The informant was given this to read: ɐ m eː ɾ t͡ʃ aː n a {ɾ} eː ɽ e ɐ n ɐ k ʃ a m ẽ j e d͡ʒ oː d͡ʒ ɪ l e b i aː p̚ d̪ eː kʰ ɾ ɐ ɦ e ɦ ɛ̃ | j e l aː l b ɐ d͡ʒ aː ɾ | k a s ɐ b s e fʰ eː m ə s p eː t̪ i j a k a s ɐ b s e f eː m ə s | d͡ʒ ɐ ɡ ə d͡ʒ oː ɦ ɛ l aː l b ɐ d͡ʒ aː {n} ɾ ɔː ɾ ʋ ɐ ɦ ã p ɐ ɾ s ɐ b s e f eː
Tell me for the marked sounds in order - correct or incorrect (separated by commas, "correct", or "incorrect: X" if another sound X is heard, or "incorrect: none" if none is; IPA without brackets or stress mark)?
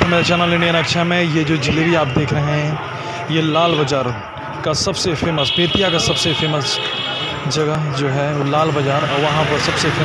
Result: incorrect: l, incorrect: none